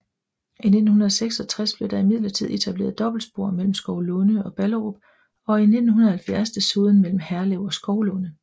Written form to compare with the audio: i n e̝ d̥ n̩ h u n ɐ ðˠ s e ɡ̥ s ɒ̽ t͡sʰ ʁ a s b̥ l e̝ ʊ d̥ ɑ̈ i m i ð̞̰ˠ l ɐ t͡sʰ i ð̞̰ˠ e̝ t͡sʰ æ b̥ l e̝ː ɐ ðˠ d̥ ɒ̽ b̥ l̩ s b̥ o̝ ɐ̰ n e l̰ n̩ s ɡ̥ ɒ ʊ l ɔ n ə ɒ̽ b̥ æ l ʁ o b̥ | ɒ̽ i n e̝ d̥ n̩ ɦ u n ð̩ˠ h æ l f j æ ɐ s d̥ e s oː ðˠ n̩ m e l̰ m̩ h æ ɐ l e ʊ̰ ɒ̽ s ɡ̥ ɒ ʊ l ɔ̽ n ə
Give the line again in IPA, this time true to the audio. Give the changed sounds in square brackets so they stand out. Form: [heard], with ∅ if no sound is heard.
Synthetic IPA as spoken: i n e̝ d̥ n̩ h u n ɐ ðˠ s e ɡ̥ s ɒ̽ t͡sʰ ʁ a s b̥ l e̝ ʊ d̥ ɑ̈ i m i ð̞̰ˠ l ɐ t͡sʰ i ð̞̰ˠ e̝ t͡sʰ æ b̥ l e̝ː ɐ ðˠ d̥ ɒ̽ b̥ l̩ s b̥ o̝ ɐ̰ [m] e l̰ [m̩] s ɡ̥ ɒ ʊ l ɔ n ə ɒ̽ b̥ æ l ʁ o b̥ | ɒ̽ i n e̝ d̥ n̩ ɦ u n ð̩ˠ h æ l f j æ ɐ s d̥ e s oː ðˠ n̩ m e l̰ m̩ h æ ɐ l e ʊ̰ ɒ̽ s ɡ̥ ɒ ʊ l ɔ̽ n ə